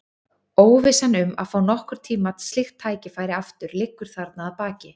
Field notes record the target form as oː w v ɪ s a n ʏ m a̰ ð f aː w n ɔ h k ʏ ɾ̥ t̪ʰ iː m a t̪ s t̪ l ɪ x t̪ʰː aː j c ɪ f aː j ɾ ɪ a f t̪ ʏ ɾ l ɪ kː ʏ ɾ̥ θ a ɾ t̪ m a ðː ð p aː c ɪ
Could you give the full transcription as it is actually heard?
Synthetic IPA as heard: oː w v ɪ s a n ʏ m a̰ ð f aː w n ɔ h k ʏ ɾ̥ t̪ʰ iː m a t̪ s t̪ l ɪ x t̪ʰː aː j c ɪ f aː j ɾ ɪ a f t̪ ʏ ɾ l ɪ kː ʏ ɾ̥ θ a ɾ t̪ n a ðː ð p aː c ɪ

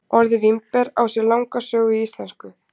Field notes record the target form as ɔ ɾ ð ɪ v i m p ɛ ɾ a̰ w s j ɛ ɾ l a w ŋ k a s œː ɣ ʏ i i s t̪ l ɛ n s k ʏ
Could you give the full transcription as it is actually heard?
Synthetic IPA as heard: ɔ ɾ ð ɪ v i m p ɛ ɾ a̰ w s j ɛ ɾ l a w ŋ k a s œː ɣ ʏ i i s t̪ l ɛ n s k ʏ

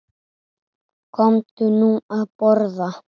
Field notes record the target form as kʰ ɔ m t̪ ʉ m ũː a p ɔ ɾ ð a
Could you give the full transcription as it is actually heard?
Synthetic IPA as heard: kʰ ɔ m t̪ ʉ n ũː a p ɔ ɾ ð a

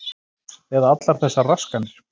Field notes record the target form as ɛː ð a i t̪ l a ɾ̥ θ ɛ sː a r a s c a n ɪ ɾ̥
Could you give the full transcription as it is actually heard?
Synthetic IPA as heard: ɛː ð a a t̪ l a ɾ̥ θ ɛ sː a r a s k a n ɪ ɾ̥

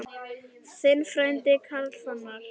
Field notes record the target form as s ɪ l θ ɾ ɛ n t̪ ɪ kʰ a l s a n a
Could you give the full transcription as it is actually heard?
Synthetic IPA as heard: s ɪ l f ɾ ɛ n t̪ ɪ kʰ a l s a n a

